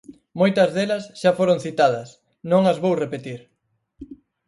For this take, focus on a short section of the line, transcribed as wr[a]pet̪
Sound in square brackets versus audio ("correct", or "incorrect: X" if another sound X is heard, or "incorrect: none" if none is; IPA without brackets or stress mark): incorrect: e